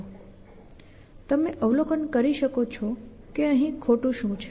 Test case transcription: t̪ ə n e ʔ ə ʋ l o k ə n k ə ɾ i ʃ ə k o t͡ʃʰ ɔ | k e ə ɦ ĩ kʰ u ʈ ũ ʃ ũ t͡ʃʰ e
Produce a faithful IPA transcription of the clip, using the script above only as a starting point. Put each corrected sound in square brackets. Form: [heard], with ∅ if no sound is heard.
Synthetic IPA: t̪ ə [m] e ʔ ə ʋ l o k ə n k ə ɾ i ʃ ə k o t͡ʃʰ ɔ | k e ə ɦ ĩ kʰ [o] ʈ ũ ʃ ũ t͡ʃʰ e